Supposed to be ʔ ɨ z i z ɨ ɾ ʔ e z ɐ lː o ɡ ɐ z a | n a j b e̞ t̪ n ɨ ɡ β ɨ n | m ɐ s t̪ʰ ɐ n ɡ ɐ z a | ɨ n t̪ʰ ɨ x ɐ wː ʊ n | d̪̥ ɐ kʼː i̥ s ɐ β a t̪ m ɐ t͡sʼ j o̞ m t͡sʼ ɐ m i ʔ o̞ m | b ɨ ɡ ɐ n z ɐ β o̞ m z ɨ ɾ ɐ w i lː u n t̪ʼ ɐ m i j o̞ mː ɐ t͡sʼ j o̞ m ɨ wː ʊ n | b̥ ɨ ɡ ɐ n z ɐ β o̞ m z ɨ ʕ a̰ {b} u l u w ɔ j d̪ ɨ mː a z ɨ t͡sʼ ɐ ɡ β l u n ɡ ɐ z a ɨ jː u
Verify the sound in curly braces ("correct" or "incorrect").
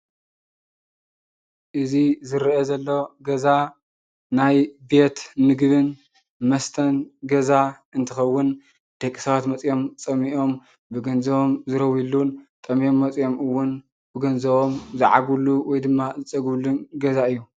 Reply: incorrect